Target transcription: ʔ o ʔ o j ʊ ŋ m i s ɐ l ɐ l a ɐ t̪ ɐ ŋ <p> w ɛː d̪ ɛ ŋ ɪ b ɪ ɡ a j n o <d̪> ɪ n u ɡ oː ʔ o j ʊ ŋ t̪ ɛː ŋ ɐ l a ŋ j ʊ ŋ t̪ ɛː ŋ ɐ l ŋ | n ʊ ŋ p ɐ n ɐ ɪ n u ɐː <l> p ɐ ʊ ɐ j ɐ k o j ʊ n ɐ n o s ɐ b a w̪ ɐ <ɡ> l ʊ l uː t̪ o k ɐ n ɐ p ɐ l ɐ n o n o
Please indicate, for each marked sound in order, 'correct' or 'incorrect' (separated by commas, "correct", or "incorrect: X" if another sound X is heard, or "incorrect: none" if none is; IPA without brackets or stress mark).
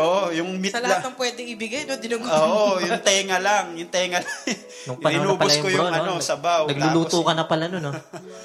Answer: correct, correct, incorrect: none, correct